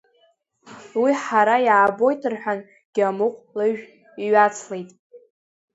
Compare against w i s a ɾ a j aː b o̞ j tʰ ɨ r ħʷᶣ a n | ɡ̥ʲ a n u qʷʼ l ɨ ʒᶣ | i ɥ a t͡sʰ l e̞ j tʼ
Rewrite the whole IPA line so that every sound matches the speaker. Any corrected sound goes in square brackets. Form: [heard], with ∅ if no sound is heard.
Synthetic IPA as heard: w i [ħ] a ɾ a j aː b o̞ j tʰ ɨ r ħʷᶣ a n | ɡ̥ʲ a [m] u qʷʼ l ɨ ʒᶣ | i ɥ a t͡sʰ l e̞ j tʼ